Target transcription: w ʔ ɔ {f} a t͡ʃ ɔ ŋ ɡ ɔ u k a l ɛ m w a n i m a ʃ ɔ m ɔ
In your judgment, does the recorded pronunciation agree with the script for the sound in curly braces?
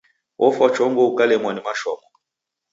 yes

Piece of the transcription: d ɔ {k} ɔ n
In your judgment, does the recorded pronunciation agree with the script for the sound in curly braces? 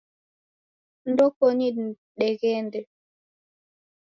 yes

